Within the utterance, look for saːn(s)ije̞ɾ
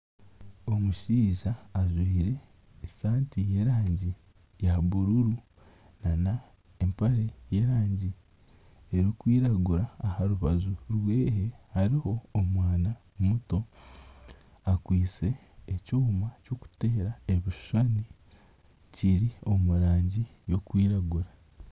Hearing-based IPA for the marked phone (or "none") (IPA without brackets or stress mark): t